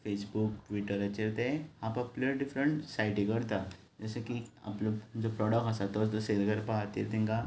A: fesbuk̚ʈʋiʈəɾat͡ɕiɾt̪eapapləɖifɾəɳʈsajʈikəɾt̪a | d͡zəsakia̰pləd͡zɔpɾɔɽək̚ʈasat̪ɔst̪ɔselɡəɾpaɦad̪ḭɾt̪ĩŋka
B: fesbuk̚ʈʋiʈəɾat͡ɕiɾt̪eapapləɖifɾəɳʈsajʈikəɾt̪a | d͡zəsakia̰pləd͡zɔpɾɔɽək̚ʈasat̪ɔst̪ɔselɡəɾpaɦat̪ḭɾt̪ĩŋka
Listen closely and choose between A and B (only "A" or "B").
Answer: B